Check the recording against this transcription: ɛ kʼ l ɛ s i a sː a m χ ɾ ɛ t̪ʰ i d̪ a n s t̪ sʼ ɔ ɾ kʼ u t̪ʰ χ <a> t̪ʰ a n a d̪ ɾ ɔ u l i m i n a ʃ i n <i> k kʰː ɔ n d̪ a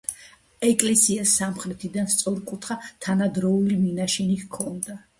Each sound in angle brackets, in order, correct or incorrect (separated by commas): correct, correct